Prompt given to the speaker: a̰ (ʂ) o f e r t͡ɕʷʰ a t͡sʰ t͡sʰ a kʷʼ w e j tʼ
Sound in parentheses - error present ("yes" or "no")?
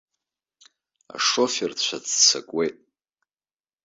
no